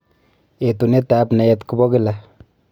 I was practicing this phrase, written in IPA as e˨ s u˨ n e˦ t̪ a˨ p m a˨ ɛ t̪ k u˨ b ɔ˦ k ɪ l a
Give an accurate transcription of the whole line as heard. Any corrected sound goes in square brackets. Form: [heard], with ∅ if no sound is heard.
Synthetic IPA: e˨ [t] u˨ n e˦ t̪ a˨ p [n] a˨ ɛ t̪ k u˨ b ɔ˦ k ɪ l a